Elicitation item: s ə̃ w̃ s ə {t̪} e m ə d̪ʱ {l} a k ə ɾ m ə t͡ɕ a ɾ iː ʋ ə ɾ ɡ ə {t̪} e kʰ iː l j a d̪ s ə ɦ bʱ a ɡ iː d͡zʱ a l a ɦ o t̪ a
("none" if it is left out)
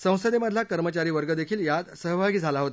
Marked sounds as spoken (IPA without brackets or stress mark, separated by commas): d̪, l, d̪